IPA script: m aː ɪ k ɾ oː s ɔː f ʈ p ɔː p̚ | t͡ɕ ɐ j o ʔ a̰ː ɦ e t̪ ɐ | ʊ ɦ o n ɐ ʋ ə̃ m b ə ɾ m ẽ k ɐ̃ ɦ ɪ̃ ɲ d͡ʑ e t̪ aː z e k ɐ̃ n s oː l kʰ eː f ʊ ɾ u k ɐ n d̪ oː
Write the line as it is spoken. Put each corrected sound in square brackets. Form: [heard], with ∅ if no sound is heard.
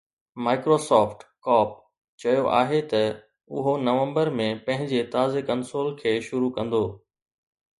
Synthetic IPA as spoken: m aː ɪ k ɾ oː s ɔː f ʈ [k] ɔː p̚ | t͡ɕ ɐ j o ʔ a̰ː ɦ e t̪ ɐ | ʊ ɦ o n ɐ ʋ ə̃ m b ə ɾ m ẽ [p] ɐ̃ ɦ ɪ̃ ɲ d͡ʑ e t̪ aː z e k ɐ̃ n s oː l kʰ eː [ʃ] ʊ ɾ u k [ɐ̃] n d̪ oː